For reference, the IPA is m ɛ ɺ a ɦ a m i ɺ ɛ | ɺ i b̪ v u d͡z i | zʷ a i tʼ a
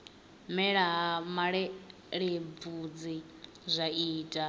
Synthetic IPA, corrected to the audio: m ɛ ɺ a ɦ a m a ɺ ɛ | ɺ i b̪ v u d͡z i | zʷ a iː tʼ a